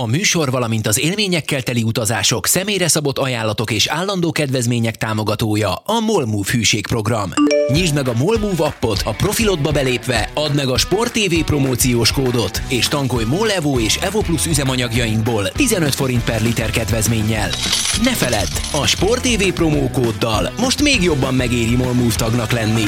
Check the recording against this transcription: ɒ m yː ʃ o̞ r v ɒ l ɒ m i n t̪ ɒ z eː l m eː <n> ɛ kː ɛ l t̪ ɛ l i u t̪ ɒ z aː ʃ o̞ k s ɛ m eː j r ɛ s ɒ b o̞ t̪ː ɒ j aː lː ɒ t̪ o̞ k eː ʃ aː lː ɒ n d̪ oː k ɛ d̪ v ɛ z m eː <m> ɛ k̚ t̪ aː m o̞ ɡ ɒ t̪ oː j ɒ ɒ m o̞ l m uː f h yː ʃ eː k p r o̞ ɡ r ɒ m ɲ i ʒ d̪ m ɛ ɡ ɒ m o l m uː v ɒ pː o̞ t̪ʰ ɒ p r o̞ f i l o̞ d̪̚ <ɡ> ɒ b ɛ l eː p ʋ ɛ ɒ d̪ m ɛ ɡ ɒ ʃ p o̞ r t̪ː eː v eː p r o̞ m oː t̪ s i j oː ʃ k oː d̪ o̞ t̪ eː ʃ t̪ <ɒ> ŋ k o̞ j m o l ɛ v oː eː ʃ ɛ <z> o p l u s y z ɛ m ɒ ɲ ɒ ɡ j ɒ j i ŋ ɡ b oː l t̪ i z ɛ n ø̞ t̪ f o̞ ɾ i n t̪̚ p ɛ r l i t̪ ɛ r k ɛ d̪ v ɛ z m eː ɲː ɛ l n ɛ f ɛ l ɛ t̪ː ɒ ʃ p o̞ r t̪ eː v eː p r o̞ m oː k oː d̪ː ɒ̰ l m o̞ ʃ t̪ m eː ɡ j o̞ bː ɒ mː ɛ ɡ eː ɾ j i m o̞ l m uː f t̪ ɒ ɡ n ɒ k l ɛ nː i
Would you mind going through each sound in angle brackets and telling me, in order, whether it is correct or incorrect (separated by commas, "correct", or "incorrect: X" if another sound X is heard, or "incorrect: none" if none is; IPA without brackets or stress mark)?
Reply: incorrect: ɲ, incorrect: ɲ, incorrect: b, correct, incorrect: v